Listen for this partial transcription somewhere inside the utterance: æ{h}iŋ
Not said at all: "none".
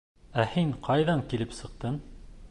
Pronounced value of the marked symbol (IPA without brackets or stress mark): h